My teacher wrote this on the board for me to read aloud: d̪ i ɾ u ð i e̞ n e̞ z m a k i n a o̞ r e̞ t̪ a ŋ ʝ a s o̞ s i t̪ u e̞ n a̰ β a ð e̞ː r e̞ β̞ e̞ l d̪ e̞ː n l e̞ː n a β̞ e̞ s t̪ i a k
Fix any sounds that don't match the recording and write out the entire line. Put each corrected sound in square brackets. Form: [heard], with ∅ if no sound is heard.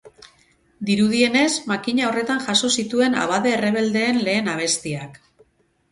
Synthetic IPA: d̪ i ɾ u ð i e̞ n e̞ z m a k i [ɲ] a o̞ r e̞ t̪ a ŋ ʝ a s o̞ s i t̪ u e̞ n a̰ β a ð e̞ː r e̞ β̞ e̞ l d̪ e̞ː n l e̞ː n a β̞ e̞ s t̪ i a k